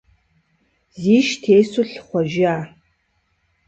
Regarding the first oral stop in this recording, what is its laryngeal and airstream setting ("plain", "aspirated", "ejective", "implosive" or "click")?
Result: aspirated